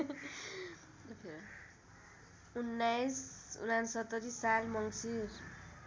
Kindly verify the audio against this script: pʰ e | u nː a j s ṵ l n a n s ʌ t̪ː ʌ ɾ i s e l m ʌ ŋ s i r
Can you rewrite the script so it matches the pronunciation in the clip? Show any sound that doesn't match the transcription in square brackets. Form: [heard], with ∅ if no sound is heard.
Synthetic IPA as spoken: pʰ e | u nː a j s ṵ [∅] n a n s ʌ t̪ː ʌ ɾ i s [a] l m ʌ ŋ s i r